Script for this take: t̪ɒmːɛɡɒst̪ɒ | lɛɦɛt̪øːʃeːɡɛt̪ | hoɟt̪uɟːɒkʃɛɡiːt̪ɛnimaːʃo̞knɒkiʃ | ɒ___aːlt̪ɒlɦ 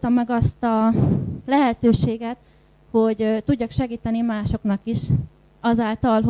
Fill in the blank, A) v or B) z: B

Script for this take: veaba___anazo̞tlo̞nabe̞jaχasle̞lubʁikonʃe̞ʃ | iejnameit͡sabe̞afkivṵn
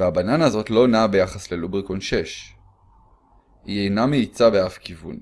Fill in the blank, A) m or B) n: B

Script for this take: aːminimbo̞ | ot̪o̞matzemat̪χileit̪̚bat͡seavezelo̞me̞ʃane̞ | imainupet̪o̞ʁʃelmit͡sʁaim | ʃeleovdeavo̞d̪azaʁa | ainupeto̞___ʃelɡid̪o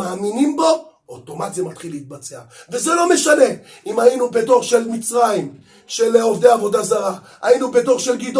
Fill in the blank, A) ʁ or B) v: A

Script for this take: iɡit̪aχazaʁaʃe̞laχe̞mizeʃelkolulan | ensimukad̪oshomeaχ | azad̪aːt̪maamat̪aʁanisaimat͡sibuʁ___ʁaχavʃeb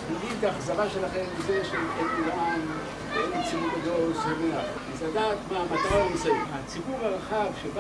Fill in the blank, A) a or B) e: A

